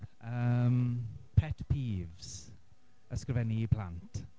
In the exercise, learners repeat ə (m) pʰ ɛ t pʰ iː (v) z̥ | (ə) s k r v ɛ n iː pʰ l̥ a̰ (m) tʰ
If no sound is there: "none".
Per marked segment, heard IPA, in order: m, v, ə, n

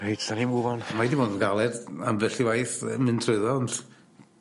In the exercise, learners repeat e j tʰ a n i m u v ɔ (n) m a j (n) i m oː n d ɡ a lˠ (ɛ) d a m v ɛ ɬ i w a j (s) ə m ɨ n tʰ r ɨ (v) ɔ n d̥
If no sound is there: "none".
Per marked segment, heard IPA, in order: n, d, ɛ, θ, ð

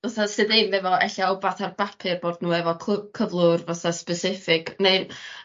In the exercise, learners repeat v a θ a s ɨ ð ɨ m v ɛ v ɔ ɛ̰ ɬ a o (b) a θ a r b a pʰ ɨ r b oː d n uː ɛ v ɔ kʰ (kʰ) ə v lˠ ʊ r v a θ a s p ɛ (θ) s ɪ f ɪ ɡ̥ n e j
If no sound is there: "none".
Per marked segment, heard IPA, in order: b, kʰ, none

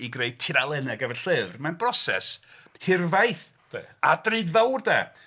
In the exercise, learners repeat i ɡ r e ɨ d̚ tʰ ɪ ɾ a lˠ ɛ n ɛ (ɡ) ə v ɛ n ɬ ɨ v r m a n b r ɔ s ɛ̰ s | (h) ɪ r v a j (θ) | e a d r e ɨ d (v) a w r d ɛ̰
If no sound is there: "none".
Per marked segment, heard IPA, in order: ɡ, h, θ, v

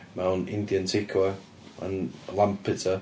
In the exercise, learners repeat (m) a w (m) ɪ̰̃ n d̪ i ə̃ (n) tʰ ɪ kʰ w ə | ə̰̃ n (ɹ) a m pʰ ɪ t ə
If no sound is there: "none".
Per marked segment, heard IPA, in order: m, n, n, l

